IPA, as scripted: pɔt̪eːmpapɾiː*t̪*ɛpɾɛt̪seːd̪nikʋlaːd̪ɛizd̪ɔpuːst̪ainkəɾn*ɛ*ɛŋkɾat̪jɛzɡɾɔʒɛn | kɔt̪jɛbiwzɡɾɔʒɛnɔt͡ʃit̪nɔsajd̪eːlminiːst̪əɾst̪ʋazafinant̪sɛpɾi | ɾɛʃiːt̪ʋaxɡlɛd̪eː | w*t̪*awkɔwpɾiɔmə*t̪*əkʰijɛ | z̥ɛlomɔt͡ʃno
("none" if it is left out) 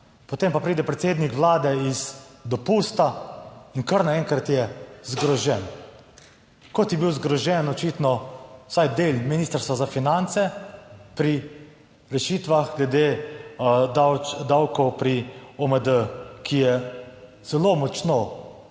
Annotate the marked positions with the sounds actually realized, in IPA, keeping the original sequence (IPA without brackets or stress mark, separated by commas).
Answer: d̪, a, d̪, d̪